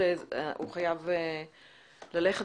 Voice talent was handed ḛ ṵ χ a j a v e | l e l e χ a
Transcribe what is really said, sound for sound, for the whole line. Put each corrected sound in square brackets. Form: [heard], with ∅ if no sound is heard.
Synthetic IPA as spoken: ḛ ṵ χ a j a v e | l [a] l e χ [e]